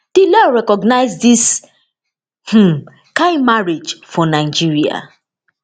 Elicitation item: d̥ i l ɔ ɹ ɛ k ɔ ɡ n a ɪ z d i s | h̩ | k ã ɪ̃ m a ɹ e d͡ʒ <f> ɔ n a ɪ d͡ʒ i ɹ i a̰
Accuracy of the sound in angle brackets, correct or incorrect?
correct